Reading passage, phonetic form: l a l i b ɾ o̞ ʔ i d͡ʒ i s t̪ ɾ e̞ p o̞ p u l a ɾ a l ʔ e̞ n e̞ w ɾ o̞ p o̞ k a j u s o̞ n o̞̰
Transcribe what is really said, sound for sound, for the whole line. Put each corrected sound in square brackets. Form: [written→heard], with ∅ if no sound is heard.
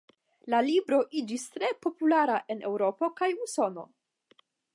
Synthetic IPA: l a l i b ɾ o̞ ʔ i d͡ʒ i s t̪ ɾ e̞ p o̞ p u l a ɾ a [l→∅] ʔ e̞ n e̞ w ɾ o̞ p o̞ k a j u s o̞ n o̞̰

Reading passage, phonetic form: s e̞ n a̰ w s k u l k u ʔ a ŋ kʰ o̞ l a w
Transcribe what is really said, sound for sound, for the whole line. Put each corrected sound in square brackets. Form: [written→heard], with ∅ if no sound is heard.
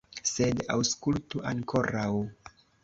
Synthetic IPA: s e̞ [n→d] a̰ w s k u l [k→t] u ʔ a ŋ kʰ o̞ [l→ɾ] a w

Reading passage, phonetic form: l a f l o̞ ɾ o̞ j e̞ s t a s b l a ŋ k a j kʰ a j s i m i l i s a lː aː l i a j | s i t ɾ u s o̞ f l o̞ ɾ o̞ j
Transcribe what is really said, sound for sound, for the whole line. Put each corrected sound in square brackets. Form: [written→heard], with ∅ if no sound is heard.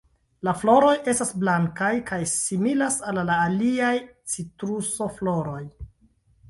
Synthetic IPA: l a f l o̞ ɾ o̞ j e̞ s t a s b l a ŋ k a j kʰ a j s i m i l [i→a] s a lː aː l i a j | [s→t͡s] i t ɾ u s o̞ f l o̞ ɾ o̞ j

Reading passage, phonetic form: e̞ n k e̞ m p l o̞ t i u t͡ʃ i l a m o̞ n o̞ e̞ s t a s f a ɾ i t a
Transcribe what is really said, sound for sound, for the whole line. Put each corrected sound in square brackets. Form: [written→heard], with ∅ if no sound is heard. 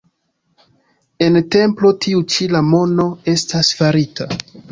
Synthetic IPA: e̞ n [k→t] e̞ m p l o̞ t i u t͡ʃ i l a m o̞ n o̞ e̞ s t a s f a ɾ i t a

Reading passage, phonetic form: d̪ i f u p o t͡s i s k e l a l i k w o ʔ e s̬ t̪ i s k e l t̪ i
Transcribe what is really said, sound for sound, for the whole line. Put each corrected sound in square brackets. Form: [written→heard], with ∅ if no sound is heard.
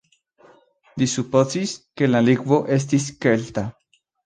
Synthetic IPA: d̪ i [f→s] u p o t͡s i s k e l a l i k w o ʔ e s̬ t̪ i s k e l t̪ [i→a]

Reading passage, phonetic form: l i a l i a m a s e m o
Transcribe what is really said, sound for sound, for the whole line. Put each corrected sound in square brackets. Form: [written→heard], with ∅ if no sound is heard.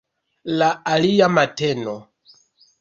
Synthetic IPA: l [i→a] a l i a m a [s→t] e [m→n] o

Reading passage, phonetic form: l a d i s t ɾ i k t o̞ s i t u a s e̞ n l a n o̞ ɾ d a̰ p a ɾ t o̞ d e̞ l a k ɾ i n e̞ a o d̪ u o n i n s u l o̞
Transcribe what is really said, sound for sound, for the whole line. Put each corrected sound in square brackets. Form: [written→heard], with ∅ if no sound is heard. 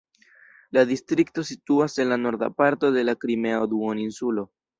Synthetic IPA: l a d i s t ɾ i k t o̞ s i t u a s e̞ n l a n o̞ ɾ d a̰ p a ɾ t o̞ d e̞ l a k ɾ i [n→m] e̞ a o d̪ u o n i n s u l o̞

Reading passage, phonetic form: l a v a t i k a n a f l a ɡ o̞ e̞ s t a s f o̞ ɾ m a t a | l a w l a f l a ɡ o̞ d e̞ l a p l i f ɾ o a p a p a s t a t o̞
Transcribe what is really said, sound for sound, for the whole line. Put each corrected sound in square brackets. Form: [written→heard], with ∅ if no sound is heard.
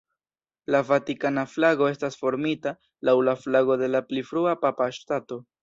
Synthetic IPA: l a v a t i k a n a f l a ɡ o̞ e̞ s t a s f o̞ ɾ m [a→i] t a | l a w l a f l a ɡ o̞ d e̞ l a p l i f ɾ [o→u] a p a p a [s→ʃ] t a t o̞

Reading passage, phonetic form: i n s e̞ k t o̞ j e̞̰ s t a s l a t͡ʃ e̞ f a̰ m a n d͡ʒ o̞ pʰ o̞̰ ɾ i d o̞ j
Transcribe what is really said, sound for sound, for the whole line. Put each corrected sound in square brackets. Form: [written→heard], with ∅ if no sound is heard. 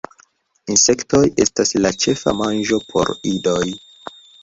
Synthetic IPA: i n s e̞ k t o̞ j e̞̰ s t a s l a t͡ʃ e̞ f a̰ m a n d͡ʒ o̞ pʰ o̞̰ ɾ i d o̞ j

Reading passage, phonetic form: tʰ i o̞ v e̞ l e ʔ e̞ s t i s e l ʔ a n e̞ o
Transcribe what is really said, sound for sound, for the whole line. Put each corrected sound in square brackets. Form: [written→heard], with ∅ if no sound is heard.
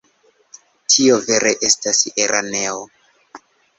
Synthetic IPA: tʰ i o̞ v e̞ [l→ɾ] e ʔ e̞ s t [i→a] s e [l→ɾ] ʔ a n e̞ o

